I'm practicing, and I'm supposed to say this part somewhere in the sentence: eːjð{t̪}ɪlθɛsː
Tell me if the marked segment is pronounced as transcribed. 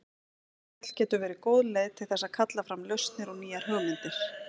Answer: no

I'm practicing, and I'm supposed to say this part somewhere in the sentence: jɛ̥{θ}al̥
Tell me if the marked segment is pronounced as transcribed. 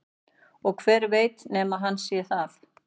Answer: yes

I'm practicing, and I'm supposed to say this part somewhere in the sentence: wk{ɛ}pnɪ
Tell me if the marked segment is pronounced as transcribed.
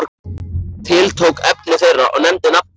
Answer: yes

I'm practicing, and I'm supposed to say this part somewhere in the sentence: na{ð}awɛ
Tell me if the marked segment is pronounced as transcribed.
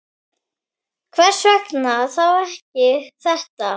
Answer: no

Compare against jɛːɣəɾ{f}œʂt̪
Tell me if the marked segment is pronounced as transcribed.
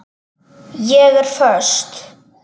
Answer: yes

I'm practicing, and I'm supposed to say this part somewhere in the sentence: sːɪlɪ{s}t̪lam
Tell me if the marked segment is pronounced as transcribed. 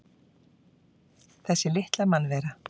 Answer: no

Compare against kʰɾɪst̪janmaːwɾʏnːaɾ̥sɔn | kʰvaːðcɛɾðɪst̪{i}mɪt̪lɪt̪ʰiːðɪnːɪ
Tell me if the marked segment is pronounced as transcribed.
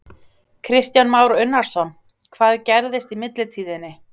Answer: yes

